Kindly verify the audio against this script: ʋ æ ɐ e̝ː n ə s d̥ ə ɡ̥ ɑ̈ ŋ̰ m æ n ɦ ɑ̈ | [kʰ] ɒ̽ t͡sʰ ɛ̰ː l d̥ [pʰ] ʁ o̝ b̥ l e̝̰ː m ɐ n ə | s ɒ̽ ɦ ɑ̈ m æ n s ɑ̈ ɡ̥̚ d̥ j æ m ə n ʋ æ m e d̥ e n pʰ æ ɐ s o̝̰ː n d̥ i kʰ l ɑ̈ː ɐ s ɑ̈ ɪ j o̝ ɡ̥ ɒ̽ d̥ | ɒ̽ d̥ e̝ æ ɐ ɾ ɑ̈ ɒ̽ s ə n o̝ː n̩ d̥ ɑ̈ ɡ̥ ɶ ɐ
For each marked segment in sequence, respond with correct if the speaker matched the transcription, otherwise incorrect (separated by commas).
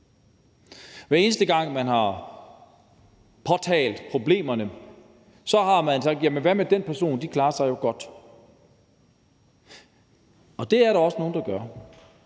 incorrect, correct